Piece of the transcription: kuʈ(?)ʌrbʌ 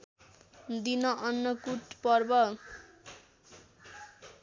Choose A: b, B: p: B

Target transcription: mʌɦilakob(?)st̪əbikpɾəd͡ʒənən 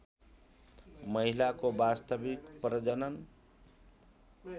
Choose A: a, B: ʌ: A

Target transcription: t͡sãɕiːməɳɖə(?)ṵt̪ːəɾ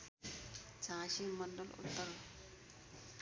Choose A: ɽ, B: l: B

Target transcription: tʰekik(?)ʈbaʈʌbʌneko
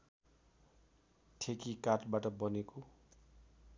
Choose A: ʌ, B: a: B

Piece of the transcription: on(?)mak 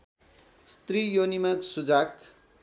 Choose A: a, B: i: B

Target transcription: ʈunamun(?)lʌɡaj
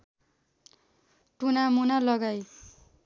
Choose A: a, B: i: A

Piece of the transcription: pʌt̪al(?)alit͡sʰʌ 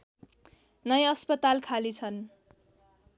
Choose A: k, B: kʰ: B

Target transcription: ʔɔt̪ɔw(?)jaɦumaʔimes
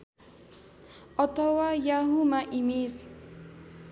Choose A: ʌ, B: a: B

